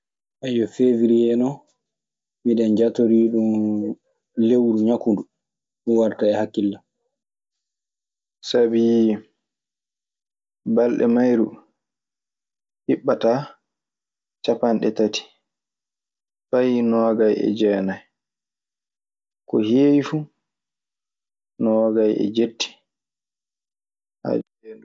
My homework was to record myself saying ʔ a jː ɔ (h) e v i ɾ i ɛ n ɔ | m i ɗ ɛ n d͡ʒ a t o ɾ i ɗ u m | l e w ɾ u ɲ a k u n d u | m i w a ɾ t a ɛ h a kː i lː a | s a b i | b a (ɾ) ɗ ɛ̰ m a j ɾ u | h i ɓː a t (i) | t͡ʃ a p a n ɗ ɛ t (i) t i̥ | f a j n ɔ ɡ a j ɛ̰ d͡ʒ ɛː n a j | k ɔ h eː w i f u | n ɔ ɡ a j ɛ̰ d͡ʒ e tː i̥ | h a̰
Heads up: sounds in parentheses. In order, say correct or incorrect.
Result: incorrect: f, incorrect: l, incorrect: a, incorrect: a

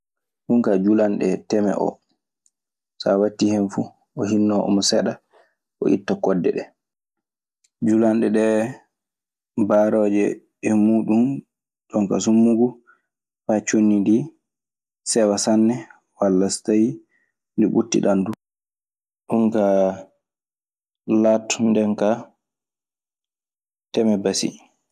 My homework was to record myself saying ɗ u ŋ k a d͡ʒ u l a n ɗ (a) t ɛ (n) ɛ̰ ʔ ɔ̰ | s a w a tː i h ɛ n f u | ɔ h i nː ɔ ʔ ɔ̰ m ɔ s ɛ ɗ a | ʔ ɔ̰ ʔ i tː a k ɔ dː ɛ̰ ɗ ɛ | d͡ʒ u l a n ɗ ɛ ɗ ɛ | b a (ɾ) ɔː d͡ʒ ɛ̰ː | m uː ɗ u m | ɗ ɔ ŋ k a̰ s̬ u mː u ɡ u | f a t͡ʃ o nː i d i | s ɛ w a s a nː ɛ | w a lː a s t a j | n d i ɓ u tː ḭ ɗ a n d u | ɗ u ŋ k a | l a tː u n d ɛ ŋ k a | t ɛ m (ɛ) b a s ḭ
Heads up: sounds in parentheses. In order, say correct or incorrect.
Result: incorrect: ɛ, incorrect: m, correct, correct

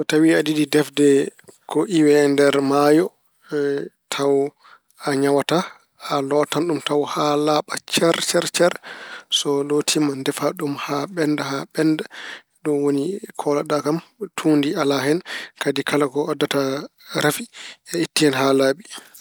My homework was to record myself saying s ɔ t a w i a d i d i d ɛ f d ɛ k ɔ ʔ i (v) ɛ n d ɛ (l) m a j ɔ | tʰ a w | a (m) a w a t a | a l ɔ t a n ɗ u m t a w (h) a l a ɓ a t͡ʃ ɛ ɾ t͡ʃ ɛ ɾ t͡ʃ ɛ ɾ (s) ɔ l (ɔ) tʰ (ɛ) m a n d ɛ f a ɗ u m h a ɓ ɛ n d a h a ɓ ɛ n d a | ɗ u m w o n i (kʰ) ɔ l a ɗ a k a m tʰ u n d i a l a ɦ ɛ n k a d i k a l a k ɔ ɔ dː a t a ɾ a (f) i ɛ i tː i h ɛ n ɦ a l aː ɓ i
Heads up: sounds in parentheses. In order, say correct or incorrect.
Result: incorrect: w, incorrect: ɾ, incorrect: ɲ, correct, correct, incorrect: o, incorrect: i, correct, correct

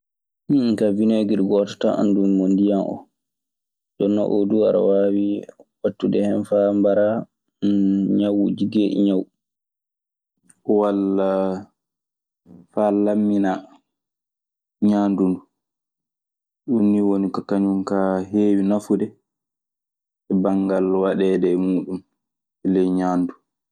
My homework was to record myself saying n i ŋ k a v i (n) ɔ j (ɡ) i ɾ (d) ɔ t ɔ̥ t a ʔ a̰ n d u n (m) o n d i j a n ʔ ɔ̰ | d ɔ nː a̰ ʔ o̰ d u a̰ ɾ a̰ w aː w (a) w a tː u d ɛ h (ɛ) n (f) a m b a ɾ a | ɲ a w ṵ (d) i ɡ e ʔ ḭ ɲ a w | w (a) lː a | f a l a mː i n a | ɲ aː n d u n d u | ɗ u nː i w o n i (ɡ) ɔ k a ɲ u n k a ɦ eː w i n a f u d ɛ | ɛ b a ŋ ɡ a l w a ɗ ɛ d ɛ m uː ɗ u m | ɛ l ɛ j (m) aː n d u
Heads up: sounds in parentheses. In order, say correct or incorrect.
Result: correct, correct, incorrect: ɡ, correct, incorrect: i, correct, correct, incorrect: d͡ʒ, correct, incorrect: k, incorrect: ɲ

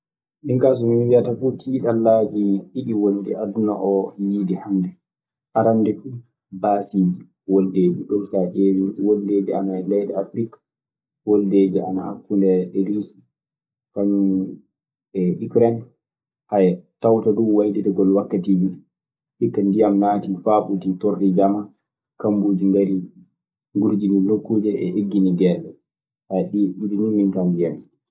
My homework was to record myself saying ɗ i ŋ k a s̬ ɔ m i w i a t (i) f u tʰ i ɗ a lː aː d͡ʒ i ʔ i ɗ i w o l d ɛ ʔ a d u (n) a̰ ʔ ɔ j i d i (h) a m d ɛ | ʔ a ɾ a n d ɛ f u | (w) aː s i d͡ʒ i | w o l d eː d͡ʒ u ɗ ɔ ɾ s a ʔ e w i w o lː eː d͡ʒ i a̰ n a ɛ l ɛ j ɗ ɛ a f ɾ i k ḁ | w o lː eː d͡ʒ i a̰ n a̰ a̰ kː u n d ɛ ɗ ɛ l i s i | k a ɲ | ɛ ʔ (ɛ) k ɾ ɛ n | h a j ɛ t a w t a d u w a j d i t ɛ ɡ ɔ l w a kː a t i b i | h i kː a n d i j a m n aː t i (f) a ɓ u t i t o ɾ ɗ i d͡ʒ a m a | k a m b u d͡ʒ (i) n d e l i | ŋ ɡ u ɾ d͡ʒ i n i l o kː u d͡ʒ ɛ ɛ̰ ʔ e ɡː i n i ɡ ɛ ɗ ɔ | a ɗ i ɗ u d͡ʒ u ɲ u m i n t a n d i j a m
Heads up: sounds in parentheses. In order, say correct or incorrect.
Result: incorrect: a, correct, correct, incorrect: b, incorrect: i, correct, correct

